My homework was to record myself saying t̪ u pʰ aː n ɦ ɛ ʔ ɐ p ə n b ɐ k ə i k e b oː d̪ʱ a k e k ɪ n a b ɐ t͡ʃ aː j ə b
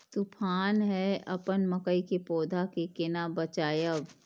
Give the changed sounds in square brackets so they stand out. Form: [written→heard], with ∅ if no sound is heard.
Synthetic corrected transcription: t̪ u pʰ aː n ɦ ɛ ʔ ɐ p ə n [b→m] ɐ k ə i k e [b→p] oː d̪ʱ a k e k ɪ n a b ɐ t͡ʃ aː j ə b